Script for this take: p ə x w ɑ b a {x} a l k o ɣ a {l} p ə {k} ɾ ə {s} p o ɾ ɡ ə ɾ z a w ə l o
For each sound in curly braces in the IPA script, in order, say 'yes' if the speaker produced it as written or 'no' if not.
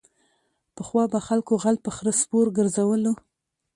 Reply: yes, yes, no, yes

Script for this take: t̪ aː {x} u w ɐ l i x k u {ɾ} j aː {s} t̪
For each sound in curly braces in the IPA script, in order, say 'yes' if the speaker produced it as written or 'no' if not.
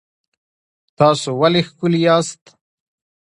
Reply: no, no, yes

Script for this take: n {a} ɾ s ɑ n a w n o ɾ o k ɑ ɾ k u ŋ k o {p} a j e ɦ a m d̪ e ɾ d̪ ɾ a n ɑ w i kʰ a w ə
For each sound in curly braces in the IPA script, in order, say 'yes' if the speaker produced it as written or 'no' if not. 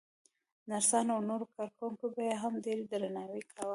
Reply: yes, no

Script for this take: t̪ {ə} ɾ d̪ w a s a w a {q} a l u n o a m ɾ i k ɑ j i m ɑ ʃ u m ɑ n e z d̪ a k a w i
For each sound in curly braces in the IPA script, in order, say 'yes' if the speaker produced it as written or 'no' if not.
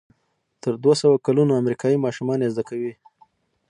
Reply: yes, no

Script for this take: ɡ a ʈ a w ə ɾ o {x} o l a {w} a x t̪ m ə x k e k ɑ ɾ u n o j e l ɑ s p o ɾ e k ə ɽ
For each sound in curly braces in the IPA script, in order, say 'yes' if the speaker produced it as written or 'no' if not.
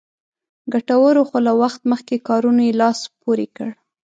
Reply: yes, yes

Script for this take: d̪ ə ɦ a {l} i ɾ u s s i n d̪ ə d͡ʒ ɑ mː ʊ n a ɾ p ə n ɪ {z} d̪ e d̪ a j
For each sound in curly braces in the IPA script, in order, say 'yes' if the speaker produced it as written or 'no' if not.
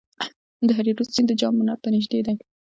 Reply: no, no

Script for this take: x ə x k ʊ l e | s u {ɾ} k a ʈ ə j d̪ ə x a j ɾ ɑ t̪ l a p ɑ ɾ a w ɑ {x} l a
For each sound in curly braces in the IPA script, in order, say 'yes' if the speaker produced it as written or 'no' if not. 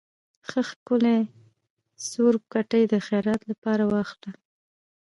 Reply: yes, yes

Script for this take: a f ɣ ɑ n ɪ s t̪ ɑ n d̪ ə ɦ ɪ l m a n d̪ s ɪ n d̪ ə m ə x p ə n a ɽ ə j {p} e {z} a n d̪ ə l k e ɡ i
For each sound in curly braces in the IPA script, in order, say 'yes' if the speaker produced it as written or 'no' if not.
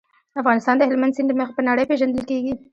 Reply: yes, no

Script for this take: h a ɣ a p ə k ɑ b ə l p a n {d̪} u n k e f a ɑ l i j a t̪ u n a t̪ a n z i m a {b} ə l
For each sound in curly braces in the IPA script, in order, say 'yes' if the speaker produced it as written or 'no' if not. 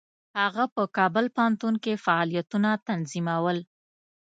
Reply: no, no

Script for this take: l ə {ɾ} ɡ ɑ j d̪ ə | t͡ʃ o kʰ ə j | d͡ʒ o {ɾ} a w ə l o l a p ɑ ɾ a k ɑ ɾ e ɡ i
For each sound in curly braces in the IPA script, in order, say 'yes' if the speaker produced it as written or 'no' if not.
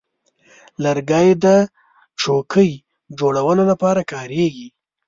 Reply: yes, no

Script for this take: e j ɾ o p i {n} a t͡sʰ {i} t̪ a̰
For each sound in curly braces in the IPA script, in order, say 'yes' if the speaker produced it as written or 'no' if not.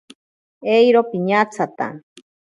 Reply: no, no

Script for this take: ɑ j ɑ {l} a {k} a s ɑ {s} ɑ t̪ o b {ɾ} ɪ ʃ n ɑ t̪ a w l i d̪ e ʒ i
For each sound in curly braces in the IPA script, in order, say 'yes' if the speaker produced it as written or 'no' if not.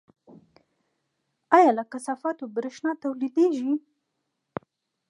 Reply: yes, yes, no, yes

